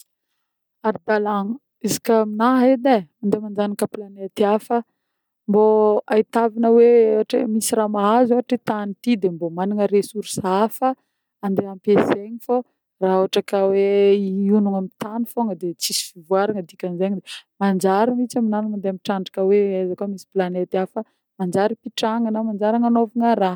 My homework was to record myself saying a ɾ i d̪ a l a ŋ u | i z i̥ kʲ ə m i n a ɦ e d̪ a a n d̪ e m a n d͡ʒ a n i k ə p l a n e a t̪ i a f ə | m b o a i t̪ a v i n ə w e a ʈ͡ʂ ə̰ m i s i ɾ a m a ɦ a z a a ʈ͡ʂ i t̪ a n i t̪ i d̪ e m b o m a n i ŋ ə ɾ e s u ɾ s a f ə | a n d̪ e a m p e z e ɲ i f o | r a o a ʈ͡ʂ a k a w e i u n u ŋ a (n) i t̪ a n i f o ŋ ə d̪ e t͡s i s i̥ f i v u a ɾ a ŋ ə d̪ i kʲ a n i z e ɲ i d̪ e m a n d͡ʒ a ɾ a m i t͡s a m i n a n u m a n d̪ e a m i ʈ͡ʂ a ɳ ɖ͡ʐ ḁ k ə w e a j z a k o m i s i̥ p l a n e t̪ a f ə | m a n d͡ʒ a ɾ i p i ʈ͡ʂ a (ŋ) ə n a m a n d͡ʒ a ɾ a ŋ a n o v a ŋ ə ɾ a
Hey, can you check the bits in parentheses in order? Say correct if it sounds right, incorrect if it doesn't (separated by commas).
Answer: incorrect, correct